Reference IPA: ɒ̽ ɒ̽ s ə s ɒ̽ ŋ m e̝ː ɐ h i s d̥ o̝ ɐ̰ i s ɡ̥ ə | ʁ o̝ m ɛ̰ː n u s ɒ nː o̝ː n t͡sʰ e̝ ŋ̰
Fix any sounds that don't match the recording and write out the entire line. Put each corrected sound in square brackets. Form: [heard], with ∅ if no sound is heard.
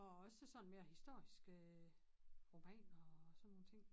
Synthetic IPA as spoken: ɒ̽ ɒ̽ s ə s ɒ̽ [n] m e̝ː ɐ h i s d̥ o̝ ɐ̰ i s ɡ̥ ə | ʁ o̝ m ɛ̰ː n [ɒ] s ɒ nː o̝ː n t͡sʰ e̝ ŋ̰